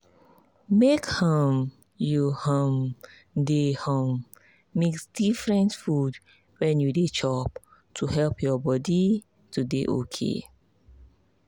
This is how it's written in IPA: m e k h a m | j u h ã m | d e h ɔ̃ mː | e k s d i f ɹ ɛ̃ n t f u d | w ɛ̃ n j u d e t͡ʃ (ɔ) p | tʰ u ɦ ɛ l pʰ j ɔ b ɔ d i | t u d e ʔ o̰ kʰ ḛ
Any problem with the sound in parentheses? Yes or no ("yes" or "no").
no